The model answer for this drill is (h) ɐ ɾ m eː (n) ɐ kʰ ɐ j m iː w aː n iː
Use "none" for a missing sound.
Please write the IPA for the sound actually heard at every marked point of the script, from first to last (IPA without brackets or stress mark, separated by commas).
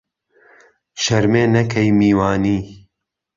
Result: ʃ, n